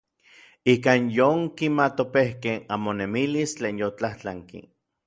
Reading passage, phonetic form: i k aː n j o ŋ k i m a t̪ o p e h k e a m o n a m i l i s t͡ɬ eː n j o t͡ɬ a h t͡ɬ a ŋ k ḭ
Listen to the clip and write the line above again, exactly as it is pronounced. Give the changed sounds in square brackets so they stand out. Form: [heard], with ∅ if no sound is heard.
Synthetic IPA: i k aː n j o ŋ k i m a t̪ o p e h k e a m o n [e] m i l i s t͡ɬ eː n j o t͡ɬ a h t͡ɬ a ŋ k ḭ